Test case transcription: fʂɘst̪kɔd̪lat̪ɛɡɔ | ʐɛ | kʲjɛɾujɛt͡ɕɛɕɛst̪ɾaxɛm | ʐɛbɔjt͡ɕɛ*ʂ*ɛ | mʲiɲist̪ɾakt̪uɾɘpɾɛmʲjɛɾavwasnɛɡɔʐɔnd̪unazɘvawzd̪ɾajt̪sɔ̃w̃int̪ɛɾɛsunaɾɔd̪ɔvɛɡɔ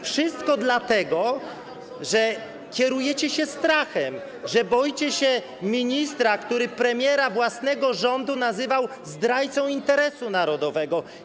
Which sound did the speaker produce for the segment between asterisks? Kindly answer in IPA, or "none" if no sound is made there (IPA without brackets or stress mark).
ɕ